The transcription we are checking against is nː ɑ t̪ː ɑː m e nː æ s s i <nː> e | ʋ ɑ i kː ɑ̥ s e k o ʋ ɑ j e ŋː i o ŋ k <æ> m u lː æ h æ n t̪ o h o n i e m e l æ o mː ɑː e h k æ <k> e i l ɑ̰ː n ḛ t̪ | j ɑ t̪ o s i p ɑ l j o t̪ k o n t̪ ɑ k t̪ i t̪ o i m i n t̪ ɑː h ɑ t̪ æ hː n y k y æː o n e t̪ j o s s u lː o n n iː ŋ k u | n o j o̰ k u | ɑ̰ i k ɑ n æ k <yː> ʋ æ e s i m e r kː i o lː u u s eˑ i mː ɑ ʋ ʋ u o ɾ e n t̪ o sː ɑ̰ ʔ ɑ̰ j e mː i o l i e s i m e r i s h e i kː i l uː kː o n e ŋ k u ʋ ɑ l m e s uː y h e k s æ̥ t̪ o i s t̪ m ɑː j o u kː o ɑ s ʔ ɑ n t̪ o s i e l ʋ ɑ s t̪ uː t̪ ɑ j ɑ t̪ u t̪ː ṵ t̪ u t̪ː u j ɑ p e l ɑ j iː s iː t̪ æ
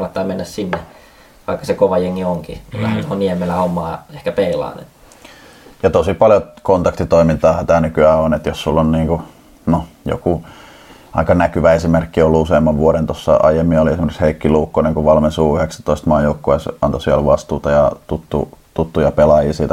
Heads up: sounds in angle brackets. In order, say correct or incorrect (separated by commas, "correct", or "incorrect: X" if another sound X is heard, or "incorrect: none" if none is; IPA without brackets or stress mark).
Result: correct, incorrect: i, incorrect: p, incorrect: y